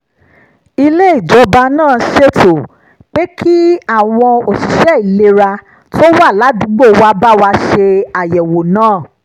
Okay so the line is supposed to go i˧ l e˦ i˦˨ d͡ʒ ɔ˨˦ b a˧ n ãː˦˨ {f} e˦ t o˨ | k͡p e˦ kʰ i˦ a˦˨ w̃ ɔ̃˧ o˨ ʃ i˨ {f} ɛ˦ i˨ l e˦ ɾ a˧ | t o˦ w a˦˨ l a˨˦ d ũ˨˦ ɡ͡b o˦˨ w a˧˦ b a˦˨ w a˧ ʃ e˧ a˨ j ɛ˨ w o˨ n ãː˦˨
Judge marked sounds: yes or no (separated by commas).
no, no